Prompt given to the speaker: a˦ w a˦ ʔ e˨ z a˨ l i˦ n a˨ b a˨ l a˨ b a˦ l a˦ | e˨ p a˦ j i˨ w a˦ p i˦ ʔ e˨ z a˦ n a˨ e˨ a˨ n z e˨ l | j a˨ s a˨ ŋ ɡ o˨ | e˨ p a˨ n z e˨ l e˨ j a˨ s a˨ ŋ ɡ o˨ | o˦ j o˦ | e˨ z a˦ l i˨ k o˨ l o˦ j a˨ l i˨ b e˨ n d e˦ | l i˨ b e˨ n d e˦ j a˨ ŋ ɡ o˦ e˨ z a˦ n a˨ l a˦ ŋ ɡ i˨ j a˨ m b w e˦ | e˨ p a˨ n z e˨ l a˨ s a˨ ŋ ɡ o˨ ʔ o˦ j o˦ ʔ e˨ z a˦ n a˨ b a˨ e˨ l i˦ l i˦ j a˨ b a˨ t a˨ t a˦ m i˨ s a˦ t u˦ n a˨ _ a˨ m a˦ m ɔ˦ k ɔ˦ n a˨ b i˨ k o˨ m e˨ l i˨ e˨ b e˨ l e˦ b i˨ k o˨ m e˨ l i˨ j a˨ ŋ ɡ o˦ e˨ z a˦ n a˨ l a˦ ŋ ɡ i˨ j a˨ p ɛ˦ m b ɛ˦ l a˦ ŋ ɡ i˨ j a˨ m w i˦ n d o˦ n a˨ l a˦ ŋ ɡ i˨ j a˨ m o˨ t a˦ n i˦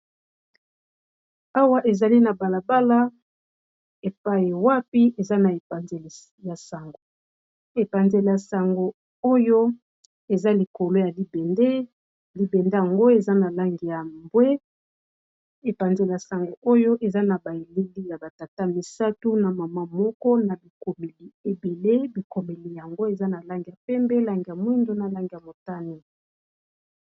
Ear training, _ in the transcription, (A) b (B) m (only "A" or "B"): B